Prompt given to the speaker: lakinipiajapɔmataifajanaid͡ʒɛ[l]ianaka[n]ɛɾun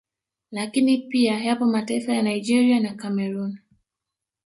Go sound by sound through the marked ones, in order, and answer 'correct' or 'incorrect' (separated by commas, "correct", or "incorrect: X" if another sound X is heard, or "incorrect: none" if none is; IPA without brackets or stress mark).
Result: incorrect: ɾ, incorrect: m